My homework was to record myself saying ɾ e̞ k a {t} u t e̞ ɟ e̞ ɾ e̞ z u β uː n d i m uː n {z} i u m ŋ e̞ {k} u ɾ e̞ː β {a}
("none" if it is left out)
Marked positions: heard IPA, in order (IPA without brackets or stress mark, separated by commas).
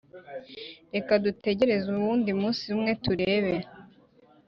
d, s, t, e